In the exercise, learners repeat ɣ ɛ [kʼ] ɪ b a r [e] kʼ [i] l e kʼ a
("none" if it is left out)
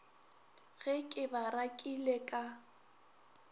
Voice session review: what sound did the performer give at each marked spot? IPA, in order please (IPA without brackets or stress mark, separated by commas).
kʼ, a, i